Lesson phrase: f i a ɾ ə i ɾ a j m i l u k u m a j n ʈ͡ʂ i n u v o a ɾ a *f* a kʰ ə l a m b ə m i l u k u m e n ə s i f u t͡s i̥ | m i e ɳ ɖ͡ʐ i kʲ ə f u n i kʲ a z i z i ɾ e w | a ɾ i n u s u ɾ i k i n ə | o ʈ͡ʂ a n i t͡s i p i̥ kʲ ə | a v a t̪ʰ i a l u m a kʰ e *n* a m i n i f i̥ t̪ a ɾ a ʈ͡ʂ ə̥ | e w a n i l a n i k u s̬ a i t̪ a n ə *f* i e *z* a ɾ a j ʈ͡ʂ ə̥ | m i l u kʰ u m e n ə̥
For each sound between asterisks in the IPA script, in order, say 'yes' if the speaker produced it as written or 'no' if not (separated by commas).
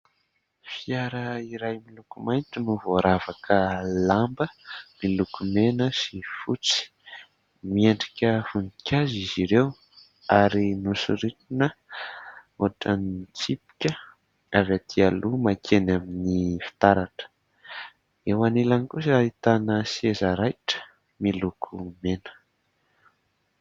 no, yes, no, yes